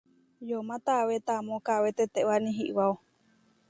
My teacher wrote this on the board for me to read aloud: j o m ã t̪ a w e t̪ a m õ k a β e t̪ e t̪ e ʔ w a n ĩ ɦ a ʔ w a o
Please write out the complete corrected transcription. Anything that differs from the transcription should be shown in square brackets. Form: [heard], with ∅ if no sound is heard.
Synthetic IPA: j o m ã t̪ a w e t̪ a m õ k a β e t̪ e t̪ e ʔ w a n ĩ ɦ [i] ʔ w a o